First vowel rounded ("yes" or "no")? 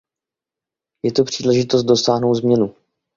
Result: no